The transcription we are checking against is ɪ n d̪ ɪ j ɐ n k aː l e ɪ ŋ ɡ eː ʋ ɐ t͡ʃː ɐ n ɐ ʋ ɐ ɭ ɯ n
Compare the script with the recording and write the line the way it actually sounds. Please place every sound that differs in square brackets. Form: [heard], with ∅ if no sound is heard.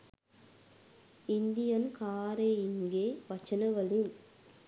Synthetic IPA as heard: ɪ n d̪ ɪ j ɐ n k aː [ɾ] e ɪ ŋ ɡ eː ʋ ɐ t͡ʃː ɐ n ɐ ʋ ɐ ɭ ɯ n